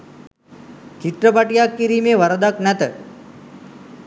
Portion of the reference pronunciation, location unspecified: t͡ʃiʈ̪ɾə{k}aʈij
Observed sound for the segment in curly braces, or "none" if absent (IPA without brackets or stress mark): p